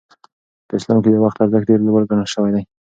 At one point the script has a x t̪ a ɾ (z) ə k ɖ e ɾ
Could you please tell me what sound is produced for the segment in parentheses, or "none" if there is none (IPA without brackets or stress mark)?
z